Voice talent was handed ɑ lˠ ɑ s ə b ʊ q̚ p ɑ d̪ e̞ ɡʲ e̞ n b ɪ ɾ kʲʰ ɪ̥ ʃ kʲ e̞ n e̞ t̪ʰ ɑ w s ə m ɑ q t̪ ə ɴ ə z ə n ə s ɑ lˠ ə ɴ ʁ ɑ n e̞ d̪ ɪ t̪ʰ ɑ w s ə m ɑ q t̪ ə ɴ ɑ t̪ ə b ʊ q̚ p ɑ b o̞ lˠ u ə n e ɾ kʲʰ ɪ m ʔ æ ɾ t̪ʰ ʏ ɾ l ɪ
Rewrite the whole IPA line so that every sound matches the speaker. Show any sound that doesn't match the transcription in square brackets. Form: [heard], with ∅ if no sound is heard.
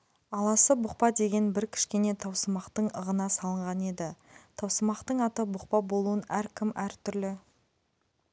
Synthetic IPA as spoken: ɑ lˠ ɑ s ə b ʊ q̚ p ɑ d̪ e̞ ɡʲ e̞ n b ɪ ɾ kʲʰ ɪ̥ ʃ kʲ e̞ n e̞ t̪ʰ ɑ w s ə m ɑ q t̪ ə ɴ ə [ʁ] ə n [ɑ] s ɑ lˠ ə ɴ ʁ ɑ n e̞ d̪ ɪ t̪ʰ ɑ w s ə m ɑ q t̪ ə ɴ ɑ t̪ ə b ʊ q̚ p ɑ b o̞ lˠ u ə n [æ] ɾ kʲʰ ɪ m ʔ æ ɾ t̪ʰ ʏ ɾ l ɪ